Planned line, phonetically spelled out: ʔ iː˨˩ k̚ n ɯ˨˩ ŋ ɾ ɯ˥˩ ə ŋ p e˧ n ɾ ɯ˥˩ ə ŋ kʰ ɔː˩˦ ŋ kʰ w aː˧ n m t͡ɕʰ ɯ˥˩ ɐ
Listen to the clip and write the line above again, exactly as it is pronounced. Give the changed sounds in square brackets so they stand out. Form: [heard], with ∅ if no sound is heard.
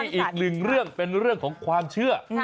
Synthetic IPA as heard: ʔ iː˨˩ k̚ n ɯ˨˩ ŋ ɾ ɯ˥˩ ə ŋ p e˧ n ɾ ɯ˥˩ ə ŋ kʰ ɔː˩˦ ŋ kʰ w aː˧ [∅] m t͡ɕʰ ɯ˥˩ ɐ